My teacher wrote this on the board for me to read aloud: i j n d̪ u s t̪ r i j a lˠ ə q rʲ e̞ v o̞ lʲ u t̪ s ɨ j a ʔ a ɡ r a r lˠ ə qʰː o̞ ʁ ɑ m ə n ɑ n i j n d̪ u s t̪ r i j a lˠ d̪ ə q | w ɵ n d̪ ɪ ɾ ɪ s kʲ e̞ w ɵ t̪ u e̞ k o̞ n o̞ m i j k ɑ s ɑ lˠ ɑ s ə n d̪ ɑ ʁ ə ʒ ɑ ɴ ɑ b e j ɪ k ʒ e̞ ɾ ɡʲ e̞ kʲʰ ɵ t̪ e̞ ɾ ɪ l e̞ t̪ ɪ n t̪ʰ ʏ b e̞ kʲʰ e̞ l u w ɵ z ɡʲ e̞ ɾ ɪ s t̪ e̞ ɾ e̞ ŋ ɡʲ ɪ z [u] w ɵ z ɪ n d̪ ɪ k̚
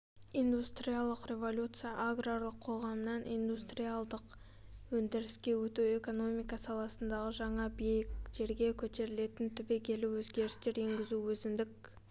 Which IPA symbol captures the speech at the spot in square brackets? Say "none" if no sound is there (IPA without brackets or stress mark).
u